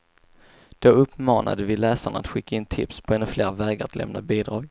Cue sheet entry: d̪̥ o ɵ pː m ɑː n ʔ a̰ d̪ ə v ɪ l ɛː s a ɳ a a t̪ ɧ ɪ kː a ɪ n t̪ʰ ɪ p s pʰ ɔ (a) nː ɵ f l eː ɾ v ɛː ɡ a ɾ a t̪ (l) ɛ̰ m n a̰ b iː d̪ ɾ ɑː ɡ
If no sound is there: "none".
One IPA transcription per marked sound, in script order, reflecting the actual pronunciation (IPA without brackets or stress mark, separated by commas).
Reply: ɛ, l